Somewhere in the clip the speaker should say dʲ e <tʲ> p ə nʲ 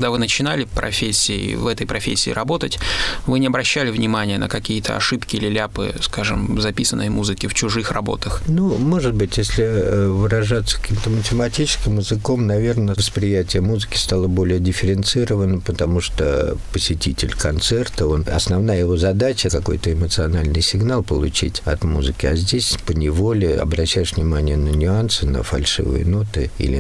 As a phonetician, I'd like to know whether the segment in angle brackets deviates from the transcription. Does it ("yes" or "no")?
yes